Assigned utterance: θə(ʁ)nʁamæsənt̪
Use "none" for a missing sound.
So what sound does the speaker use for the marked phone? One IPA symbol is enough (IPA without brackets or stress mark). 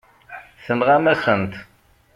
none